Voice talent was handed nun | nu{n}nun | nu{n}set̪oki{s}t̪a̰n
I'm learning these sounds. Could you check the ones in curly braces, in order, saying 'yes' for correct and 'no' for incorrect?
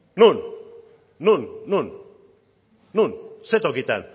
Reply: yes, yes, no

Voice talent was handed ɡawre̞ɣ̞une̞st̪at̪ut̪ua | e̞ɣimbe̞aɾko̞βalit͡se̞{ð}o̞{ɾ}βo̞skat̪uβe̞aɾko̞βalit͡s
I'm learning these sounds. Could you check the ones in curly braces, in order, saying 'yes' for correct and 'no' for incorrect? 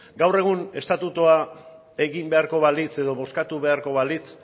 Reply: yes, no

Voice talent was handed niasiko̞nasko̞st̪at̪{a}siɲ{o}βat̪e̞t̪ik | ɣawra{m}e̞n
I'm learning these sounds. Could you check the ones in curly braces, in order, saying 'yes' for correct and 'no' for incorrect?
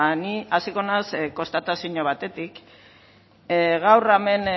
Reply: yes, yes, yes

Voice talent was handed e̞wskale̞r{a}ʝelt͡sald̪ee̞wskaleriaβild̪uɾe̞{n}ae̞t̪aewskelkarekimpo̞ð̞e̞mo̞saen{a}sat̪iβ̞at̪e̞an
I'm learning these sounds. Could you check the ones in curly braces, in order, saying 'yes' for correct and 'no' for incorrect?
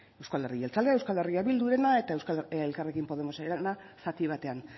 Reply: no, yes, yes

